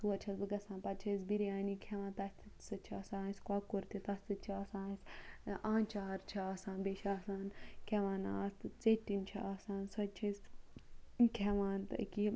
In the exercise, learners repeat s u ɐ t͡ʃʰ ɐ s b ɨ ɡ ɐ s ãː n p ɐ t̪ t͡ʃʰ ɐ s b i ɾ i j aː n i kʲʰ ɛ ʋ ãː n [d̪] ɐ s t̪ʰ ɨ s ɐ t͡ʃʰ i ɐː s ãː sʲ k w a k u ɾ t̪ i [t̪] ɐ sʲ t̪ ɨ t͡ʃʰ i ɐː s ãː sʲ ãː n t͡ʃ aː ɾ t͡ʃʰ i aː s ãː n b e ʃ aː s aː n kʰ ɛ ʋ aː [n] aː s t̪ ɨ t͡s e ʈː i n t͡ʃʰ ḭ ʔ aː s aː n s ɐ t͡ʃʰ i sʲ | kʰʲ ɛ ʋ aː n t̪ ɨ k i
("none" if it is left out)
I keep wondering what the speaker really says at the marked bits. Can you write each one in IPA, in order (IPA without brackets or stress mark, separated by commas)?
t̪, t̪, n